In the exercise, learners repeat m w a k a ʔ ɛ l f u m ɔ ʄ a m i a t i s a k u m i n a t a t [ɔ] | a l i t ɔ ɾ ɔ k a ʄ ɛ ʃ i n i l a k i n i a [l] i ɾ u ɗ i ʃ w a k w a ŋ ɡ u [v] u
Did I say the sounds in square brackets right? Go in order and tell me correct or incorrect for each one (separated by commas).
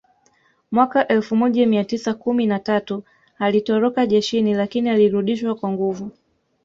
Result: incorrect, correct, correct